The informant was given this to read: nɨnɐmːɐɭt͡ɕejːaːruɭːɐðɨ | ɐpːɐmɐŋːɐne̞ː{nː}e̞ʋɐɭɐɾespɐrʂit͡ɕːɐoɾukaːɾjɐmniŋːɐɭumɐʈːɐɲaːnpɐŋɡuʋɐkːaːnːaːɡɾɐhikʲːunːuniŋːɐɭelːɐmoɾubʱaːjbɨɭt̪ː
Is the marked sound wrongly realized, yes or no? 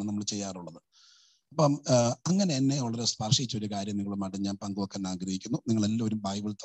no